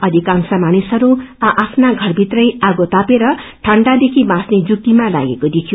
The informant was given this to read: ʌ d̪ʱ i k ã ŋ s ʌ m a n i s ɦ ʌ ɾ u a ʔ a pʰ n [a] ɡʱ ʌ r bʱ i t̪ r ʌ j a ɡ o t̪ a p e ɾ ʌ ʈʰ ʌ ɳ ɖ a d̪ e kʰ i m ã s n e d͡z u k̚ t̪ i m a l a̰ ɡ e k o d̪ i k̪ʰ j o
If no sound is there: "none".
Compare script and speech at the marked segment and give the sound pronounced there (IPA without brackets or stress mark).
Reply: a